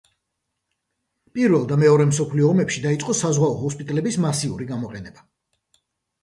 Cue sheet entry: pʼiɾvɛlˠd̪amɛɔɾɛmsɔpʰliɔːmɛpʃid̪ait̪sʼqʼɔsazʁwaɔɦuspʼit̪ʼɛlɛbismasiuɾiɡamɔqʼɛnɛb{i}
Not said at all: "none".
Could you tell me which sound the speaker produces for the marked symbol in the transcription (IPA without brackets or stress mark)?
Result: a